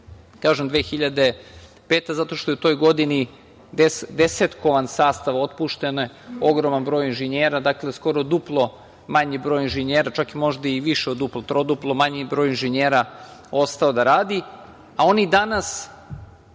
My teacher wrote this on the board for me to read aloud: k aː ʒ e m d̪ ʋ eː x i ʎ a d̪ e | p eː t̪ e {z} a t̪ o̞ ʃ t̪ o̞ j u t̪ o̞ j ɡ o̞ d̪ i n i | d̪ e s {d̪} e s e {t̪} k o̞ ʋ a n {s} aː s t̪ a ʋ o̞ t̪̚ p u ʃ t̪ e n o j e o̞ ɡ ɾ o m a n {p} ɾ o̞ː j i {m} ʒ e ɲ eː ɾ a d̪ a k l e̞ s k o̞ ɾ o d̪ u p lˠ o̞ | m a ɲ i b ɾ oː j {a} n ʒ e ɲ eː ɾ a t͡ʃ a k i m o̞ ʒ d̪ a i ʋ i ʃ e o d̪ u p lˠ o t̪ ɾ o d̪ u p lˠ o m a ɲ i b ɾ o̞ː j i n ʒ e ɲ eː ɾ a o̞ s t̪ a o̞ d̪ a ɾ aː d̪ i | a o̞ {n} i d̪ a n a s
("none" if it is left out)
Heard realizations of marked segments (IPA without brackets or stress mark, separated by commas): z, d̪, t̪, s, b, n, i, n